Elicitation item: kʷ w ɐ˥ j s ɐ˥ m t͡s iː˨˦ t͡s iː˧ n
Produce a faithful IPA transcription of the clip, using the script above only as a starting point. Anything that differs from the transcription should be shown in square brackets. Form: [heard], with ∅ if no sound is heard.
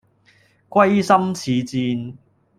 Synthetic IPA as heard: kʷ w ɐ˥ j s ɐ˥ m [t͡sʰ] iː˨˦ t͡s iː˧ n